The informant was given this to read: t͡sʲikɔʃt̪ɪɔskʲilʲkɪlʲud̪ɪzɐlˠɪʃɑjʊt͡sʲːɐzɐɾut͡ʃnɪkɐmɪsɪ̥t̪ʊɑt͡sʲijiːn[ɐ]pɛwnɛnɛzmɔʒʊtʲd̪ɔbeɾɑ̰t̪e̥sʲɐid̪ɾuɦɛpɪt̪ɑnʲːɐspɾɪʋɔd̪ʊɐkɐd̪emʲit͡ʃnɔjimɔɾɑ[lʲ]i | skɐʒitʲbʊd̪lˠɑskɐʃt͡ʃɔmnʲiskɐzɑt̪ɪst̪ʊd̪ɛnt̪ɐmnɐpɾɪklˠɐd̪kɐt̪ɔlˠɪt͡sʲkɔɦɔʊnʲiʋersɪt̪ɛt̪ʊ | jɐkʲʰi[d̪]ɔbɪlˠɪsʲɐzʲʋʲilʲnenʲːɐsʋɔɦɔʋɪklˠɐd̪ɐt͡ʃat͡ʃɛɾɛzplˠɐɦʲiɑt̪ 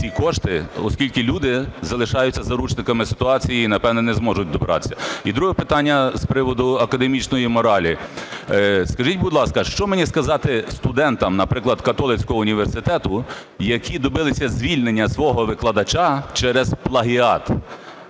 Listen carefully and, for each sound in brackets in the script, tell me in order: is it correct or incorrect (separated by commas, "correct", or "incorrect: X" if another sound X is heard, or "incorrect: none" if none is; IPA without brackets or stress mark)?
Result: correct, correct, correct